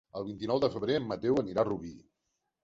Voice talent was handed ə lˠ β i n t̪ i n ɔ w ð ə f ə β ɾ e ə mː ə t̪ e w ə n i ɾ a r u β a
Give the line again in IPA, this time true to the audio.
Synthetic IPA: ə lˠ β i n t̪ i n ɔ w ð ə f ə β ɾ e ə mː ə t̪ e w ə n i ɾ a r u β i